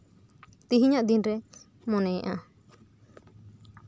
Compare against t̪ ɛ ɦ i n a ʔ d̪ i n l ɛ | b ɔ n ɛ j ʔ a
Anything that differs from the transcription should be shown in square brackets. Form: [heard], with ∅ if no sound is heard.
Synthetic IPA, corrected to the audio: t̪ [i] ɦ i [ɲ] a ʔ d̪ i n [ɾ] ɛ | [m] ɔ n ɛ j ʔ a